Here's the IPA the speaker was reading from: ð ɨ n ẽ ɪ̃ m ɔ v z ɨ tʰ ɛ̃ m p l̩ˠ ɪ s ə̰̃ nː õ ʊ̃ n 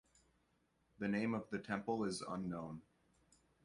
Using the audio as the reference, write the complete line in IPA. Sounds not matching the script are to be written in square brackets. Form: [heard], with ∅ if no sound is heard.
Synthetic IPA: ð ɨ n ẽ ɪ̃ m [ʌ] v [ð] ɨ tʰ ɛ̃ m p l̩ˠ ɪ [z] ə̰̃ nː õ ʊ̃ n

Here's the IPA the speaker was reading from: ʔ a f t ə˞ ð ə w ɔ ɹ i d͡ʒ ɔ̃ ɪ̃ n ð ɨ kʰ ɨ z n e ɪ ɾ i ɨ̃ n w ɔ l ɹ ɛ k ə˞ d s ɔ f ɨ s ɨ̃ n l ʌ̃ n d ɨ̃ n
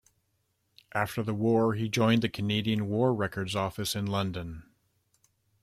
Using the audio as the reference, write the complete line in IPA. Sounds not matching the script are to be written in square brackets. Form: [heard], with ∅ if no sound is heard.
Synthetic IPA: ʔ [æ] f t ə˞ ð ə w ɔ ɹ i d͡ʒ ɔ̃ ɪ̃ n ð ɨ kʰ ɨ [∅] n e ɪ ɾ i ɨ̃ n w ɔ [ɹ] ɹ ɛ k ə˞ d [z] ɔ f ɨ s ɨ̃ n l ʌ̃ n d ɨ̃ n

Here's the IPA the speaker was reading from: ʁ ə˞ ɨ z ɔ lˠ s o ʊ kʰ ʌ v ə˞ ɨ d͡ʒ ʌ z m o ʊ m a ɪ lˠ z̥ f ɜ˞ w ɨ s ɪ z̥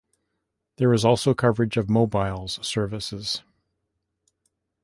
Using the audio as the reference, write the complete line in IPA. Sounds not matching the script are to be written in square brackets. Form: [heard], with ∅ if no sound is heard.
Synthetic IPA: [ð] ə˞ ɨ z ɔ lˠ s o ʊ kʰ ʌ v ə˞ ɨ d͡ʒ ʌ [v] m o ʊ [b] a ɪ lˠ z̥ [s] ɜ˞ [v] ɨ s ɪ z̥

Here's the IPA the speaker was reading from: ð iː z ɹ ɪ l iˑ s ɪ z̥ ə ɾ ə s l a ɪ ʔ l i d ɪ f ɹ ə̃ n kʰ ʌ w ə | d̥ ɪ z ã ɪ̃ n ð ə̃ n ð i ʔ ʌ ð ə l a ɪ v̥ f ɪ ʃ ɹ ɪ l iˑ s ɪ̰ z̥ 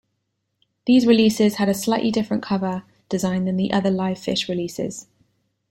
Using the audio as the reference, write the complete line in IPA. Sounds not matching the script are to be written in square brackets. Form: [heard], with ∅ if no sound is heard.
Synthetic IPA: ð iː z ɹ ɪ l iˑ s ɪ z̥ ə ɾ ə s l a ɪ ʔ l i d ɪ f ɹ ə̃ n kʰ ʌ [v] ə | d̥ ɪ z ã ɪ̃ n ð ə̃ n ð i ʔ ʌ ð ə l a ɪ v̥ f ɪ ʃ ɹ ɪ l iˑ s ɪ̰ z̥

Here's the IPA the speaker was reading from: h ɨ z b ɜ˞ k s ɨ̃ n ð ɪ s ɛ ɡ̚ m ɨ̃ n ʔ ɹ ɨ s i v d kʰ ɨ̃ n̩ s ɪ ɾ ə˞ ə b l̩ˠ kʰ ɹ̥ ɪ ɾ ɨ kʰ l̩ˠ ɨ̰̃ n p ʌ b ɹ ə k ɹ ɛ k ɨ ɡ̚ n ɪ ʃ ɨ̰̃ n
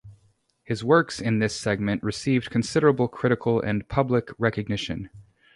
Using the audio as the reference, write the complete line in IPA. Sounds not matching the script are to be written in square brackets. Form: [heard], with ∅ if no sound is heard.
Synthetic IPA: h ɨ z [w] ɜ˞ k s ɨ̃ n ð ɪ s ɛ ɡ̚ m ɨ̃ n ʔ ɹ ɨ s i v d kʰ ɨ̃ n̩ s ɪ ɾ ə˞ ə b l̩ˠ kʰ ɹ̥ ɪ ɾ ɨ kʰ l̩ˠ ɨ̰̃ n [pʰ] ʌ b [l] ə k ɹ ɛ k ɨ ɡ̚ n ɪ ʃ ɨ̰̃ n

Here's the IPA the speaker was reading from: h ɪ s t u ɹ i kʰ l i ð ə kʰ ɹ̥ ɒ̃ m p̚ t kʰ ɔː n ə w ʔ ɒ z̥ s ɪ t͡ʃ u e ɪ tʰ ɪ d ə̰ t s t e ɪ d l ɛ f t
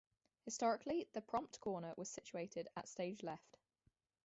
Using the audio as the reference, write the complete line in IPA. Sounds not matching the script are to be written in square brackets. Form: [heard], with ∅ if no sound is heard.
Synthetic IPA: h ɪ s t [ɒ] ɹ [ɪ] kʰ l i ð ə [pʰ] ɹ̥ ɒ̃ m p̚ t kʰ ɔː n ə w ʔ ɒ z̥ s ɪ t͡ʃ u e ɪ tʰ ɪ d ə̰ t s t e ɪ [d͡ʒ] l ɛ f t

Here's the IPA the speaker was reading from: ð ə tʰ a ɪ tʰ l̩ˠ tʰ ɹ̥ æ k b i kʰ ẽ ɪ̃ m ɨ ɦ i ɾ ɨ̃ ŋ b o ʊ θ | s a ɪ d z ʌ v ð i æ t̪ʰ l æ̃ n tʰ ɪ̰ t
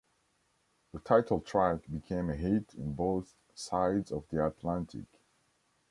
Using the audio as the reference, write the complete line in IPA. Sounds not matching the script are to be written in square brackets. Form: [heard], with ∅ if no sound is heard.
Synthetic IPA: ð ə tʰ a ɪ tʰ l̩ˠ tʰ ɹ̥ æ k b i kʰ ẽ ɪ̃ m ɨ ɦ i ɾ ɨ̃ [n] b o ʊ θ | s a ɪ d z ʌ v ð i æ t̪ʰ l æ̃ n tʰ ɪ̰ [k]

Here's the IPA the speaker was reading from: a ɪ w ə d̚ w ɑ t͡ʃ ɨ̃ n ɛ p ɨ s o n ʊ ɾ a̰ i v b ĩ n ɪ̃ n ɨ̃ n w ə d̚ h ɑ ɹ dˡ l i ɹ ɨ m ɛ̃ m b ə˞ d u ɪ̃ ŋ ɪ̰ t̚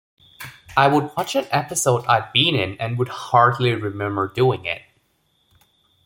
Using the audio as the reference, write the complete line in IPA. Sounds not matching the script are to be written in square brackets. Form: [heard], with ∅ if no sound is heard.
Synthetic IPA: a ɪ w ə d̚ w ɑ t͡ʃ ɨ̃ n ɛ p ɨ s o [∅] ʊ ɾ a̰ [ɪ] v b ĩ n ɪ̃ n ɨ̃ n w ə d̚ h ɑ ɹ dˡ l i ɹ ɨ m ɛ̃ m b ə˞ d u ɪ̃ ŋ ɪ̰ t̚

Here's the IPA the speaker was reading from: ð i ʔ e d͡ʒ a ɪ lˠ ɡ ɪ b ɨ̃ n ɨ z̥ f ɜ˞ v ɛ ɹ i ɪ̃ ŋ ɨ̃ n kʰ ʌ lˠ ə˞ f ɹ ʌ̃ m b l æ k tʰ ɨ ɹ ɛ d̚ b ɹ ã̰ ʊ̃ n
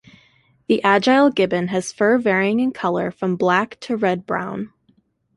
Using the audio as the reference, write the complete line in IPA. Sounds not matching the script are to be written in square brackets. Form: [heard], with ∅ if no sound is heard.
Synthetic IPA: ð i ʔ [æ] d͡ʒ a ɪ lˠ ɡ ɪ b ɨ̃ n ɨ z̥ f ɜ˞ v ɛ ɹ i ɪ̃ ŋ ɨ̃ n kʰ ʌ lˠ ə˞ f ɹ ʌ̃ m b l æ k tʰ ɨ ɹ ɛ d̚ b ɹ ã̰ ʊ̃ n

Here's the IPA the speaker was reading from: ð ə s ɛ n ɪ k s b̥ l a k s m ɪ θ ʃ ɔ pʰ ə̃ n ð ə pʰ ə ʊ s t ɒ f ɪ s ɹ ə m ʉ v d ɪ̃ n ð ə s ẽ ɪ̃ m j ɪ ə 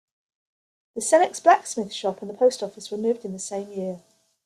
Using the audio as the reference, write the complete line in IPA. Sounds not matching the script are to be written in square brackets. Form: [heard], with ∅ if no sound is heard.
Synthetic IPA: ð ə s ɛ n ɪ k s b̥ l a k s m ɪ θ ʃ [ɒ] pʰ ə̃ n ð ə pʰ ə ʊ s t ɒ f ɪ s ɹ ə m [ʉː] v d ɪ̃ n ð ə s ẽ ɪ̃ m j ɪ ə

